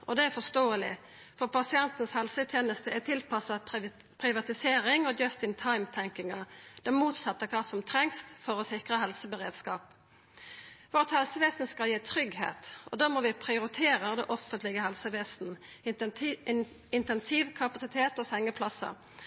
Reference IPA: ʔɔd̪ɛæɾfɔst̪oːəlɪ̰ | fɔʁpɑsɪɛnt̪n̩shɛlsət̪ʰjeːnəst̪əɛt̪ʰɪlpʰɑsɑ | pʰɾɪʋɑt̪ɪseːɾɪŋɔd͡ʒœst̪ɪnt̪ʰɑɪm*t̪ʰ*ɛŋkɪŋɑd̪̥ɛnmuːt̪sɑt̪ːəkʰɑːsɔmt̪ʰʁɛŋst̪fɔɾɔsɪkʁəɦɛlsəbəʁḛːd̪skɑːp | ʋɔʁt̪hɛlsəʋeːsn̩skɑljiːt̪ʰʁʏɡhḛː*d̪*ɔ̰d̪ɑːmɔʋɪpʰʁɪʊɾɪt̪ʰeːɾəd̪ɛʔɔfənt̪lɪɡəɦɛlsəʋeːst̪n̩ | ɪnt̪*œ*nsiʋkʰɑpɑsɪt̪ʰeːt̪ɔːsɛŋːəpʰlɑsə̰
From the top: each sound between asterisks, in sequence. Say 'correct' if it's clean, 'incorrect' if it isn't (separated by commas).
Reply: correct, incorrect, incorrect